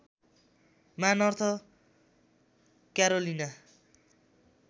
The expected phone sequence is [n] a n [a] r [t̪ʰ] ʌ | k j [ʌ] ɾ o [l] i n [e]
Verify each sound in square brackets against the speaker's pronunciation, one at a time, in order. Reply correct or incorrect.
incorrect, incorrect, correct, incorrect, correct, incorrect

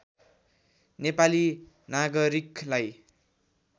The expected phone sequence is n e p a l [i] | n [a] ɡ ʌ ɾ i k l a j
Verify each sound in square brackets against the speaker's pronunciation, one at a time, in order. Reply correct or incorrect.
correct, correct

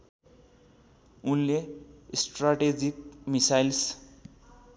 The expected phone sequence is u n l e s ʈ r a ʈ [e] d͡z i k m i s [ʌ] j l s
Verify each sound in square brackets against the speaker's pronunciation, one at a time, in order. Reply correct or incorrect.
correct, incorrect

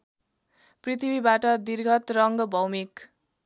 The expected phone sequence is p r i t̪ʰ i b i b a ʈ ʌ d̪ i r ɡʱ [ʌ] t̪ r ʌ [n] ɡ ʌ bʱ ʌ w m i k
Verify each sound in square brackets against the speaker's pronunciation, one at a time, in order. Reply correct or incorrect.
correct, incorrect

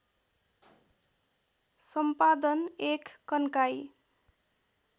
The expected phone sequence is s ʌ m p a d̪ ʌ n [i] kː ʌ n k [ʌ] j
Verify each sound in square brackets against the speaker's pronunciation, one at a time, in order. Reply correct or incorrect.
incorrect, incorrect

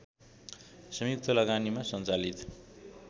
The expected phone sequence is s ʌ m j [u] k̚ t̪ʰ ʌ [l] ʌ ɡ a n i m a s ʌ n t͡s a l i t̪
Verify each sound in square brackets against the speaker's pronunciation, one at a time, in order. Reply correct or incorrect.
correct, correct

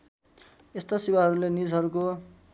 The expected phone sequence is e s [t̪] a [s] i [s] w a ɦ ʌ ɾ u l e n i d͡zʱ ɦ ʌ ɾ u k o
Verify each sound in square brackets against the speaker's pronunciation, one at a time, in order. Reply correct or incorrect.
correct, correct, incorrect

